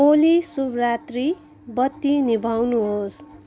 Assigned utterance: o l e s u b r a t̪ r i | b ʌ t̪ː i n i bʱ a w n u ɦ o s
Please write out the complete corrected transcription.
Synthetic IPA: o l i s u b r a t̪ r i | b ʌ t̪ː i n i bʱ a w n u ɦ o s